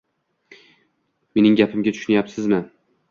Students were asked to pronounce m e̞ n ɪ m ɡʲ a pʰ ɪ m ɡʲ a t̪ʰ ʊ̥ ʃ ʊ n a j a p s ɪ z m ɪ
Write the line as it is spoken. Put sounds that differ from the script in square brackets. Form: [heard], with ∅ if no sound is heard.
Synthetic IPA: m e̞ n ɪ [ŋ] ɡʲ a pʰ ɪ m ɡʲ a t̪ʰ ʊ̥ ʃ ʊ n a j a p s ɪ z m ɪ